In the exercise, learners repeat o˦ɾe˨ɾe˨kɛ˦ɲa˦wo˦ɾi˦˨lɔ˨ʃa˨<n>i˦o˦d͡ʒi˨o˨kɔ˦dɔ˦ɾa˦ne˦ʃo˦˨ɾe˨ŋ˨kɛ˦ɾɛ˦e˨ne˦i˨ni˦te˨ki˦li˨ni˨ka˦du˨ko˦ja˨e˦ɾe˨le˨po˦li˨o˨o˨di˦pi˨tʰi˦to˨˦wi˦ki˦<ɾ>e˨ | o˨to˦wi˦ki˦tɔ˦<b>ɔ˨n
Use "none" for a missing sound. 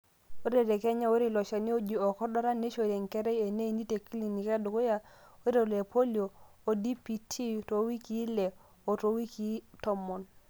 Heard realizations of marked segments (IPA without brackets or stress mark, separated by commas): n, l, m